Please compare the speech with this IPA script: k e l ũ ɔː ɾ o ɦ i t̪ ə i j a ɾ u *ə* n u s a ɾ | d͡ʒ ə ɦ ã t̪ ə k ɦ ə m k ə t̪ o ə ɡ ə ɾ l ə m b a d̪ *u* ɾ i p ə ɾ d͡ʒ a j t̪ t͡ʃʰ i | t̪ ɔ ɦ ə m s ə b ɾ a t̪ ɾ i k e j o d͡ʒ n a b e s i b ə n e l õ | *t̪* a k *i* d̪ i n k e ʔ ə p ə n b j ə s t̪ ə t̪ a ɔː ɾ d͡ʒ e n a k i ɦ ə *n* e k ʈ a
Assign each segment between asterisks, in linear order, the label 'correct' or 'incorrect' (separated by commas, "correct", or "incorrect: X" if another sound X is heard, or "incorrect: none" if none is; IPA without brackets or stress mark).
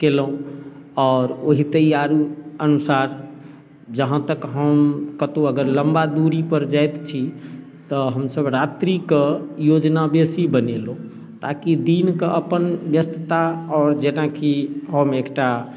correct, correct, correct, correct, incorrect: m